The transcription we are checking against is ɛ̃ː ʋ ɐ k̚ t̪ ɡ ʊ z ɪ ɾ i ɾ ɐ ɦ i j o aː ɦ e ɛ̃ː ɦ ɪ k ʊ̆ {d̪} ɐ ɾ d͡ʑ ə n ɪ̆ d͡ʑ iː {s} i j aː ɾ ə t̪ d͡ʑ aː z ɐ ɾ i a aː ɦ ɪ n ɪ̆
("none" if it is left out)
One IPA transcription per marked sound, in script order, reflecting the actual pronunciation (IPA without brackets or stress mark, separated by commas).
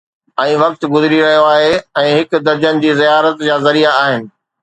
d̪, z